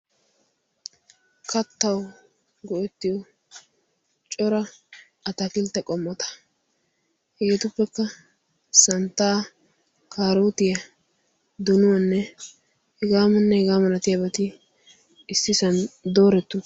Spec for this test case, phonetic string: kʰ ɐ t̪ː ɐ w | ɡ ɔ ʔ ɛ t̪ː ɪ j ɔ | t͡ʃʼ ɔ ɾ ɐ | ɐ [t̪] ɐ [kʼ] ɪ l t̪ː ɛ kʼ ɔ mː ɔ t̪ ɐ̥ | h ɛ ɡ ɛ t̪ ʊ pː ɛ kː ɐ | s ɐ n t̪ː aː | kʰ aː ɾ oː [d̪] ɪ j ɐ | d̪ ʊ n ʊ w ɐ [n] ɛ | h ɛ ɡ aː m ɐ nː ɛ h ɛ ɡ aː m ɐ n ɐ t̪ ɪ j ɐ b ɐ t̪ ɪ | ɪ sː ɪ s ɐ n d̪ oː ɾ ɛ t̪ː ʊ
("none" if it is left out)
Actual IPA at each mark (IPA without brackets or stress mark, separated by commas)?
t̪, k, t̪, nː